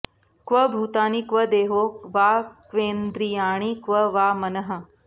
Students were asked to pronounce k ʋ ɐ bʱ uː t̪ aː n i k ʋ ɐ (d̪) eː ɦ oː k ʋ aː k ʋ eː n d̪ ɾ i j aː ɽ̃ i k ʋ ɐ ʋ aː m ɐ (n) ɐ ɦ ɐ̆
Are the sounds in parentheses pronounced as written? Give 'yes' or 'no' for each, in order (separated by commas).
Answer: yes, yes